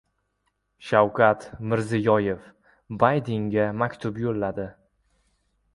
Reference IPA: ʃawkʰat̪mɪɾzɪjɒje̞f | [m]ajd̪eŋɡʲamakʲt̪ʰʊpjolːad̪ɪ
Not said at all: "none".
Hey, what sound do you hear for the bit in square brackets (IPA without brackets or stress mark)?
b